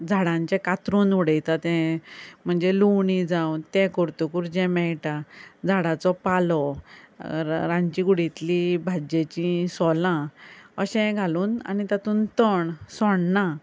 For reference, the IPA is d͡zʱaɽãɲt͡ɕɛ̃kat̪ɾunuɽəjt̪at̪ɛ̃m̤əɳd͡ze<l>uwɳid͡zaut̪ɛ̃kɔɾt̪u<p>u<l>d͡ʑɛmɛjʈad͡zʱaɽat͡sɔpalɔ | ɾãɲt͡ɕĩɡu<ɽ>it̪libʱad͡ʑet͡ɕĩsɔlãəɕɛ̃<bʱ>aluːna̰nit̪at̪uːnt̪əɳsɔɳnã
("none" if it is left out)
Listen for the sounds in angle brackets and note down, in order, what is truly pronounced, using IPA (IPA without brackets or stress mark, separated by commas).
l, k, ɾ, ɽ, ɡʱ